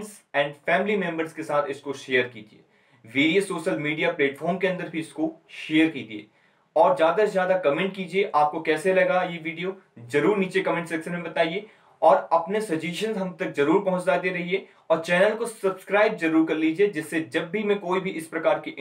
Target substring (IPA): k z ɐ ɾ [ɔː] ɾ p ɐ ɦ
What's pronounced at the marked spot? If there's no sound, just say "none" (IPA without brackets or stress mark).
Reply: uː